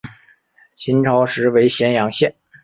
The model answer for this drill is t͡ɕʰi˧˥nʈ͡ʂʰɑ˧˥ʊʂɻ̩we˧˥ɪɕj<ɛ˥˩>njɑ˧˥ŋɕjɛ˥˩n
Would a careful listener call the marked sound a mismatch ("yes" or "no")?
yes